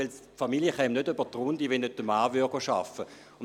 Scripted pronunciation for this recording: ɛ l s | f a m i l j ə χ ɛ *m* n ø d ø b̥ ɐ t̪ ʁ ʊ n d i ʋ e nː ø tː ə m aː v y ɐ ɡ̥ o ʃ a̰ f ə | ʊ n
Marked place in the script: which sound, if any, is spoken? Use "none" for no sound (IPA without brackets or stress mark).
m